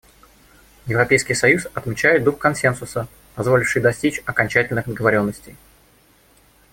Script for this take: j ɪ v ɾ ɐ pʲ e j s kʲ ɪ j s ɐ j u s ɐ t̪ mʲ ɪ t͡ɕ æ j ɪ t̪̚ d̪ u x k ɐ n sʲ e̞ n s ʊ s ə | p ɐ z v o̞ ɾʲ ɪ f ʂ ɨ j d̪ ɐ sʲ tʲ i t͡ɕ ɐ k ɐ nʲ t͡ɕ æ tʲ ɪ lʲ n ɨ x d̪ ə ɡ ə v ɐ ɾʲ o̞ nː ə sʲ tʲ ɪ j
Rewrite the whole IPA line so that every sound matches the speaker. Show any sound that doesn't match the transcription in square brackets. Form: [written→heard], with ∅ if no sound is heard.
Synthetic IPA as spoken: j ɪ v ɾ ɐ pʲ e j s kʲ ɪ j s ɐ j u s ɐ t̪ mʲ ɪ t͡ɕ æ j ɪ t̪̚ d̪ u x k ɐ n sʲ e̞ n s ʊ s ə | p ɐ z v o̞ [ɾʲ→lʲ] ɪ f ʂ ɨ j d̪ ɐ sʲ tʲ i t͡ɕ ɐ k ɐ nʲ t͡ɕ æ tʲ ɪ lʲ n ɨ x d̪ ə ɡ ə v ɐ ɾʲ o̞ nː ə sʲ tʲ ɪ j